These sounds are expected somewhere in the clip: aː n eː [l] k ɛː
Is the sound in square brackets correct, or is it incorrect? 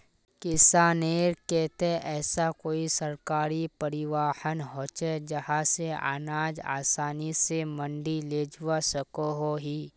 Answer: incorrect: ɾ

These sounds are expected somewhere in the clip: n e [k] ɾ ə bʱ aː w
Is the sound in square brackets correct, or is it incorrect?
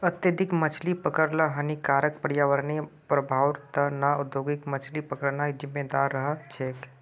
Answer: incorrect: p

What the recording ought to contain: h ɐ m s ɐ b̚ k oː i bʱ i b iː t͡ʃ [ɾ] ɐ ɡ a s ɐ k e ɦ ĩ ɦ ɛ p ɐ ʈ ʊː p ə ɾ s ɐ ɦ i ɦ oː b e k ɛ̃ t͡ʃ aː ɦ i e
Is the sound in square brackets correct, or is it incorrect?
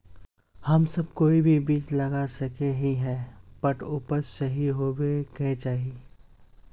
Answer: incorrect: l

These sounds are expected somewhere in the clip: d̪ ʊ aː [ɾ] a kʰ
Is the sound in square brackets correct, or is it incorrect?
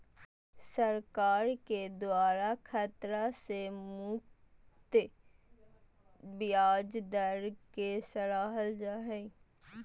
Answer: correct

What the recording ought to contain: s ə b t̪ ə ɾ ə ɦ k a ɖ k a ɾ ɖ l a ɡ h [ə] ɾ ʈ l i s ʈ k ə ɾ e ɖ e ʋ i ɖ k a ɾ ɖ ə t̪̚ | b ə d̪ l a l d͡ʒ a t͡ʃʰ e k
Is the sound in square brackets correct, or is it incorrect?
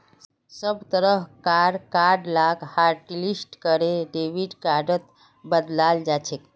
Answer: incorrect: a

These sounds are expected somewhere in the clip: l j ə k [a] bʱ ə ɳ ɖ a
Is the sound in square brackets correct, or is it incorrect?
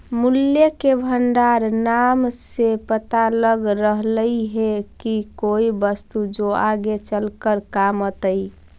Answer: incorrect: e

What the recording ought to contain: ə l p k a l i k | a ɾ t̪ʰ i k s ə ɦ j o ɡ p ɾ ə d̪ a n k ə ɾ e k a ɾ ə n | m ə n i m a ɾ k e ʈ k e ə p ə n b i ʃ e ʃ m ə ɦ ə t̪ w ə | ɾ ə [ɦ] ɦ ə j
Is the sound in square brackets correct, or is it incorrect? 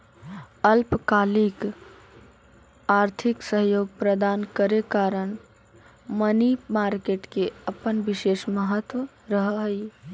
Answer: correct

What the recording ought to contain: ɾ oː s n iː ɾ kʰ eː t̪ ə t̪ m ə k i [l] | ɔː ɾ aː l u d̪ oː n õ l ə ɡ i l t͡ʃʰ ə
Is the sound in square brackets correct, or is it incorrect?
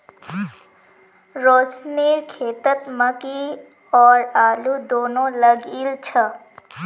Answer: incorrect: none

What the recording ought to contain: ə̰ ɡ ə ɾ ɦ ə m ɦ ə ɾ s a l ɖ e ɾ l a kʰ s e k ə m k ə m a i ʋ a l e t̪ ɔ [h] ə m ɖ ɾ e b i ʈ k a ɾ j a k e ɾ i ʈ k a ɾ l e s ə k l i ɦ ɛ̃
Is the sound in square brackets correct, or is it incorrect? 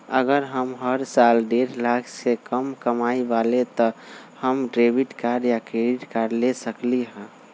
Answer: correct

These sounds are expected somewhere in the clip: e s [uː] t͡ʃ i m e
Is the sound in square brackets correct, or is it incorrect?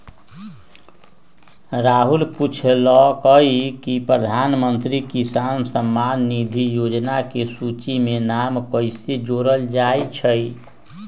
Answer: incorrect: u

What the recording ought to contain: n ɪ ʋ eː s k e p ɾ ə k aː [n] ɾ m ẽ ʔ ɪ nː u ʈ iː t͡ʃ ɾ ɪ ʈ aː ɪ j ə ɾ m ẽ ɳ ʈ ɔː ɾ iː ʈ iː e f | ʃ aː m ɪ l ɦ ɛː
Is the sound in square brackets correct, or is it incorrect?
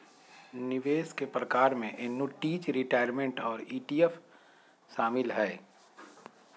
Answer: incorrect: none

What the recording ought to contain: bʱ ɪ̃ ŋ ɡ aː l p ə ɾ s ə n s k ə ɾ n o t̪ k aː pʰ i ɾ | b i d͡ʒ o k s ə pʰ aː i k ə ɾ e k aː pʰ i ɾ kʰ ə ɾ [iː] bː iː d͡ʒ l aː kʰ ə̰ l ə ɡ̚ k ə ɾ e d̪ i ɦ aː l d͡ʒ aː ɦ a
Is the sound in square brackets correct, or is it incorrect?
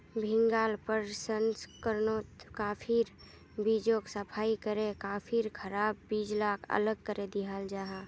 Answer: incorrect: aː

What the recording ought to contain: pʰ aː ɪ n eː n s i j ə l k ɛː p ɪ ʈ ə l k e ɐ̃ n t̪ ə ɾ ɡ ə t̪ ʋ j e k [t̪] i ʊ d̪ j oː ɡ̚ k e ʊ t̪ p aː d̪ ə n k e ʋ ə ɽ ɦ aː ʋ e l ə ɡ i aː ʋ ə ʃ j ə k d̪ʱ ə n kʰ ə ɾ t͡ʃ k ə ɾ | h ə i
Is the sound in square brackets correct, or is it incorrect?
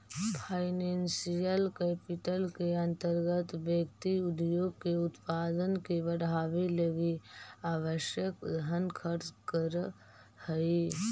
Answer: correct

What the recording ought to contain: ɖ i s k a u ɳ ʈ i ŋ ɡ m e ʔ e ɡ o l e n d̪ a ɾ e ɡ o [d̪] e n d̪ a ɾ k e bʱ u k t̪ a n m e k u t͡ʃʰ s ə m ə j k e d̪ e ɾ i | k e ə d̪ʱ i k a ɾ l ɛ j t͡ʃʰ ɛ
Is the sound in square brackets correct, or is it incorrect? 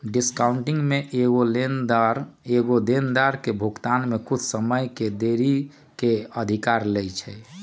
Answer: correct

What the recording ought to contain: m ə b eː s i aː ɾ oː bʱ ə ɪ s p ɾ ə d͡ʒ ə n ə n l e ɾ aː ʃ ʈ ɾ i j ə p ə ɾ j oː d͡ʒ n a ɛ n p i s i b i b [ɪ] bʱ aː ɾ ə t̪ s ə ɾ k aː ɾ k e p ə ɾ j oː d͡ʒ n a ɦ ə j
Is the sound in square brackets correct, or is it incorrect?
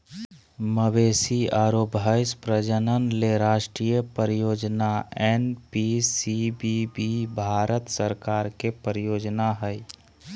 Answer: incorrect: i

